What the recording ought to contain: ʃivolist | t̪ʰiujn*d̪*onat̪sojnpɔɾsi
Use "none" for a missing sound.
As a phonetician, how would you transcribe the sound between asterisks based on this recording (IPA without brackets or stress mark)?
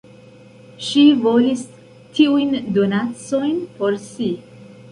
d̪